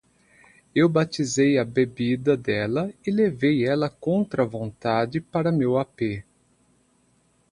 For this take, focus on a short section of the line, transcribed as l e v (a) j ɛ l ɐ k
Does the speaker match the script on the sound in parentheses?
no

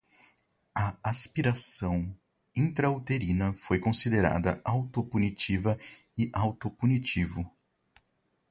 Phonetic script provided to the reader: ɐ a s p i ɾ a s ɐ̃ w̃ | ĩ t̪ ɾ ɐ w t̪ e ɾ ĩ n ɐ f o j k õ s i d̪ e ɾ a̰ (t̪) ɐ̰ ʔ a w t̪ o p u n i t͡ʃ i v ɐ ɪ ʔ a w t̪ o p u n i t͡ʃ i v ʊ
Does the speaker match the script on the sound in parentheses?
no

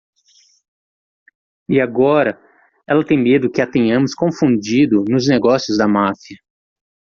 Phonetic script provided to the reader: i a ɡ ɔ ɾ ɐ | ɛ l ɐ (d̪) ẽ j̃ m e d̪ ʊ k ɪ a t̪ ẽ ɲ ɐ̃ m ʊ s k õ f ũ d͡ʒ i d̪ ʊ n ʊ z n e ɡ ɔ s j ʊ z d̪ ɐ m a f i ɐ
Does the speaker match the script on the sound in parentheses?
no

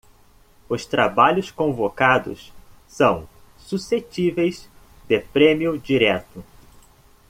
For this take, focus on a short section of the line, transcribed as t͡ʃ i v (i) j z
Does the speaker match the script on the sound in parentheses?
no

